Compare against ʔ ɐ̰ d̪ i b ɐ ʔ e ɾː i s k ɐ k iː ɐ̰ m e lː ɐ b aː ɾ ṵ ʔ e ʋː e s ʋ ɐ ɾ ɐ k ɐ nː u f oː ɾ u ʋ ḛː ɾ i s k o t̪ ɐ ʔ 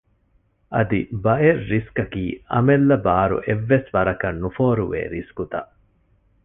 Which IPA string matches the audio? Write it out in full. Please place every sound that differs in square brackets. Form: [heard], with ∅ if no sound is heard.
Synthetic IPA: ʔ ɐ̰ d̪ i b ɐ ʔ e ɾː i s k ɐ k iː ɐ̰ m e lː ɐ b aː ɾ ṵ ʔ e ʋː e s ʋ ɐ ɾ ɐ k ɐ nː u f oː ɾ u ʋ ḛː ɾ i s k [u] t̪ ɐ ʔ